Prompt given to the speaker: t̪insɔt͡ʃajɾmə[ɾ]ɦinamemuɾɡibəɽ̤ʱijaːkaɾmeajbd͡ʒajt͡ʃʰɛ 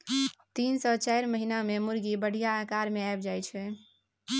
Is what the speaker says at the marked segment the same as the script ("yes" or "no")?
no